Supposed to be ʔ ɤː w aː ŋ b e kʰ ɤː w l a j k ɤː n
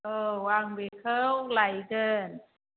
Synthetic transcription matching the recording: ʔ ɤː w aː ŋ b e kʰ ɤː w l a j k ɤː n